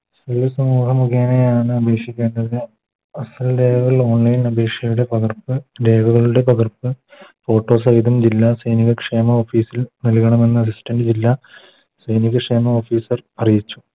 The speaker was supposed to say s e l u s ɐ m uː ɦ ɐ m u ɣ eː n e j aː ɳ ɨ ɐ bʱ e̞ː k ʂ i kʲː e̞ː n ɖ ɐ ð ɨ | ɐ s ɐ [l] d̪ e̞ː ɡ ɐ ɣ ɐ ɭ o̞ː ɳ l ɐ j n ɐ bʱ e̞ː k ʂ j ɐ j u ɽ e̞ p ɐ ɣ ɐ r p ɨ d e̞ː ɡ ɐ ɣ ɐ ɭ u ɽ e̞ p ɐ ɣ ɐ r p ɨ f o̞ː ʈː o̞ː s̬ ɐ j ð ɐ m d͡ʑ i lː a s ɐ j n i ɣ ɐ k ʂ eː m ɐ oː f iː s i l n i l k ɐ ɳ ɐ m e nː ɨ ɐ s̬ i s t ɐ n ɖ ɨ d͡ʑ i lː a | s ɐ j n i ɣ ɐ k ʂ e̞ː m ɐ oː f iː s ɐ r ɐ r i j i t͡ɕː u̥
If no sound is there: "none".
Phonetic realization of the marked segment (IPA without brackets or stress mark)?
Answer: l